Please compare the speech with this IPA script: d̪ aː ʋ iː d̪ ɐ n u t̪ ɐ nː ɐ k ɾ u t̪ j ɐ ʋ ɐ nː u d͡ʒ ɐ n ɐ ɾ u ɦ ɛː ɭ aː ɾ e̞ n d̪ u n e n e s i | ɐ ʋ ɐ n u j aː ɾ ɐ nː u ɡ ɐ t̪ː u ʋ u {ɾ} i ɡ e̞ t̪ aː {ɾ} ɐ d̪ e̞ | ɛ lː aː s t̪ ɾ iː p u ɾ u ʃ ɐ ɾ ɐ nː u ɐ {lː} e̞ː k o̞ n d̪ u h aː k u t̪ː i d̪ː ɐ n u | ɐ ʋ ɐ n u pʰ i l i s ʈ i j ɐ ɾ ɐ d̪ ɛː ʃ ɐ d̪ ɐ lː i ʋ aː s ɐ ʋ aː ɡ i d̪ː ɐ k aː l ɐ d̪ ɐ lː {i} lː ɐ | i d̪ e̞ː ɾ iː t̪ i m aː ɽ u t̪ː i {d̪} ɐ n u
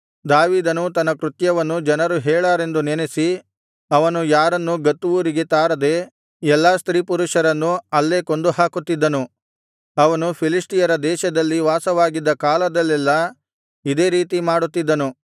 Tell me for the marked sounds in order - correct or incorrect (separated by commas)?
correct, correct, correct, incorrect, incorrect